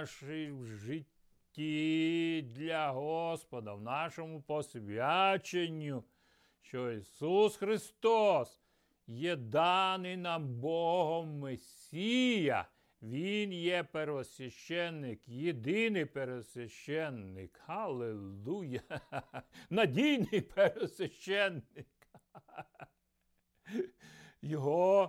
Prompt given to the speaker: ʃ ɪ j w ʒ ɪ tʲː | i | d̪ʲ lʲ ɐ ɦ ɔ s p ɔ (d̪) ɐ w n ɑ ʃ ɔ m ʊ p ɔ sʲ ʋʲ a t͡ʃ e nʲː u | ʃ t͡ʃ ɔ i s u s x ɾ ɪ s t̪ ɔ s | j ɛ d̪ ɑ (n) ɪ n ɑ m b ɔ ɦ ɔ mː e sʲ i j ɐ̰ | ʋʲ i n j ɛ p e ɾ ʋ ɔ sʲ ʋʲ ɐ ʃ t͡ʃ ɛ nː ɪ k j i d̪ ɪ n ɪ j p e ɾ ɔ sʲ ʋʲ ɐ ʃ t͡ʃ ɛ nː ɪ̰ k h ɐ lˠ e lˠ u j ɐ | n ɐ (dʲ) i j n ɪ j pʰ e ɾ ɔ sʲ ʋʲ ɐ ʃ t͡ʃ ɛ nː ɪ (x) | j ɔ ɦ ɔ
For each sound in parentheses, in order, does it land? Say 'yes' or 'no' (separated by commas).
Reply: yes, yes, yes, no